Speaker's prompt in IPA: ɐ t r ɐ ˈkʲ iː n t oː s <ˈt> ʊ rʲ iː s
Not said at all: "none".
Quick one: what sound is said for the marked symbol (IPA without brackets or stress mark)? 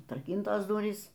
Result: d